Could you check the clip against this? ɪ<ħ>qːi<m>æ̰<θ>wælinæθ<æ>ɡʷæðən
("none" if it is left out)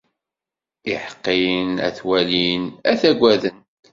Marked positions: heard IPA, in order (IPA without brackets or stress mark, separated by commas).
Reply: ħ, n, θ, æ